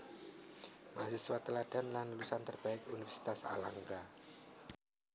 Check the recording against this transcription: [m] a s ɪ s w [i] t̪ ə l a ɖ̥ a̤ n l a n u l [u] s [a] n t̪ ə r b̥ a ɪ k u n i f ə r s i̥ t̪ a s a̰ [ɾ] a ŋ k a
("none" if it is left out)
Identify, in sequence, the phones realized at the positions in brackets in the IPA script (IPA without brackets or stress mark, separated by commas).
m, a, u, a, l